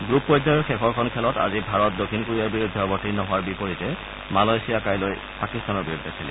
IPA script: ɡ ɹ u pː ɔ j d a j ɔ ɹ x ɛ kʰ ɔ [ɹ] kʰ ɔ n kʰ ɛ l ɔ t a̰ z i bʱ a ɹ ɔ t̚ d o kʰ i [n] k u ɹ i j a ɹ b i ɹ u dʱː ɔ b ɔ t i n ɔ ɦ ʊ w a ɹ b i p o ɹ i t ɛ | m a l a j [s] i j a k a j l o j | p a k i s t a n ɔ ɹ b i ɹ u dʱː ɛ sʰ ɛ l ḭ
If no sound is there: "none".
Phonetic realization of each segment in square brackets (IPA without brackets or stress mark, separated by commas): ɹ, n, s